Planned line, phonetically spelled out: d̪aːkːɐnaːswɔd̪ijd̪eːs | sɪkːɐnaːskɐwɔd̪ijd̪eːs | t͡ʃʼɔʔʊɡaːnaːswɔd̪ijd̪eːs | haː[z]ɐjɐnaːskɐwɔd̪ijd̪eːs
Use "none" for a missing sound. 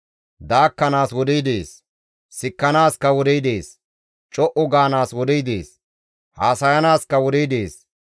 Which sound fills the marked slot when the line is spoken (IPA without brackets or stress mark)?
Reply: s